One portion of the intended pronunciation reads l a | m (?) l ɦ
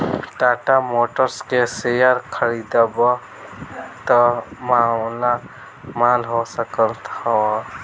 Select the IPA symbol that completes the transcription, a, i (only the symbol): a